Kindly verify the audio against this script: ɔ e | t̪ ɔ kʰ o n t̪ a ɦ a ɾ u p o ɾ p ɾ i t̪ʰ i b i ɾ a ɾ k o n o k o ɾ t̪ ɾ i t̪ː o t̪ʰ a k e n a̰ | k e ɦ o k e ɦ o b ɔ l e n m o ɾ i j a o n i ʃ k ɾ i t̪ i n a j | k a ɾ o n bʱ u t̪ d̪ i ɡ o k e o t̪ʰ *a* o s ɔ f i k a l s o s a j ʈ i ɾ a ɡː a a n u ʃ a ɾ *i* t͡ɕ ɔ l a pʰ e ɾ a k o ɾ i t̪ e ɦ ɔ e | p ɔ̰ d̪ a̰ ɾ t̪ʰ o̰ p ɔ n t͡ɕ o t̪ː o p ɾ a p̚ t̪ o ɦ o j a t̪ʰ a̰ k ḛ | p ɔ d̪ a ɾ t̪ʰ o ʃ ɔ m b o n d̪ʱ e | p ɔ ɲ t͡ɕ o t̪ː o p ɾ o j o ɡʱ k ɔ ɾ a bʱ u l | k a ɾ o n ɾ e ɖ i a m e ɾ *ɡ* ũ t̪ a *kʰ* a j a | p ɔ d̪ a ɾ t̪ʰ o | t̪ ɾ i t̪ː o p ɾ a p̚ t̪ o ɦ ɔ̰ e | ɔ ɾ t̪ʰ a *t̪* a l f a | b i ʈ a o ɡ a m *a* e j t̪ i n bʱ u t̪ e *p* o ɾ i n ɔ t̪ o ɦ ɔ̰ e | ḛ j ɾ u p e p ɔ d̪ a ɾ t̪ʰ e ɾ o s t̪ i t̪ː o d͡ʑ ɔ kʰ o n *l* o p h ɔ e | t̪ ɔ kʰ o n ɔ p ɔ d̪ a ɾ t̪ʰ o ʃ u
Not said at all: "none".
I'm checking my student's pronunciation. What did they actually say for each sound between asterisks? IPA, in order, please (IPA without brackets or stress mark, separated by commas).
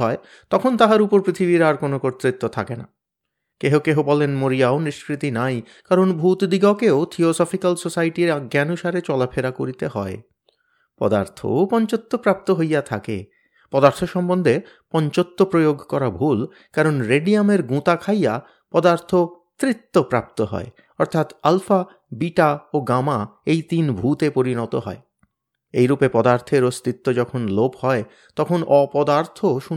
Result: i, e, ɡ, kʰ, t̪, a, p, l